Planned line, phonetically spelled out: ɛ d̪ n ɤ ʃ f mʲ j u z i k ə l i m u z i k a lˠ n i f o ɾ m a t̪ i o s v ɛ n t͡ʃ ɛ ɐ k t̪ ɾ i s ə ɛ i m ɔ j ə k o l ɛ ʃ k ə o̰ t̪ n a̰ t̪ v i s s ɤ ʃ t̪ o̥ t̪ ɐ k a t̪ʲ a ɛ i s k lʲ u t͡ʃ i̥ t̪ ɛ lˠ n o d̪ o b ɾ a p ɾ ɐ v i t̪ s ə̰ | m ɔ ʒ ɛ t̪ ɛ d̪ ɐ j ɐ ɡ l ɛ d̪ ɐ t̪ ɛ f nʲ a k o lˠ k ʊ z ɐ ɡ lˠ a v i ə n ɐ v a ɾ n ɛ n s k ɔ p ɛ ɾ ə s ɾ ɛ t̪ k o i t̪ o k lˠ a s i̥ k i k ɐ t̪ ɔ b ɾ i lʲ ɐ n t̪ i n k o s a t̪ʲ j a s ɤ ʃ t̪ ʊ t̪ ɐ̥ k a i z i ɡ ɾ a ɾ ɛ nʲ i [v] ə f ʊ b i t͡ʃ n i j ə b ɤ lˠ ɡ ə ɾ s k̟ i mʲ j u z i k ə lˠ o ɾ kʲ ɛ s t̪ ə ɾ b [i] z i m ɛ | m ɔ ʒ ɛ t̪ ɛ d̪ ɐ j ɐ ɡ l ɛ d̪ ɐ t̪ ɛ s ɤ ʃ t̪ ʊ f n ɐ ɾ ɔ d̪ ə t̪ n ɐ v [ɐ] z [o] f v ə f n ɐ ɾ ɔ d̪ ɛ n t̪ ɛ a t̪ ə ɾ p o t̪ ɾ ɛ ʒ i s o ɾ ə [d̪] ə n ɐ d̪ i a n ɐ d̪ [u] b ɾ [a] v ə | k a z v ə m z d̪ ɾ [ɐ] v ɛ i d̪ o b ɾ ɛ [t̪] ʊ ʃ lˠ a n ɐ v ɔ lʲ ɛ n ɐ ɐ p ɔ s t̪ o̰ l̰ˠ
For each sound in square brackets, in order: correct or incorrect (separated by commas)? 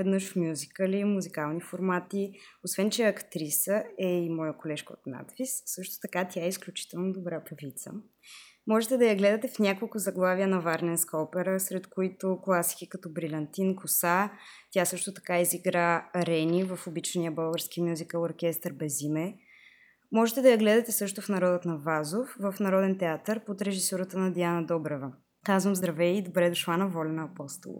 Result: correct, incorrect, incorrect, correct, incorrect, incorrect, incorrect, correct, incorrect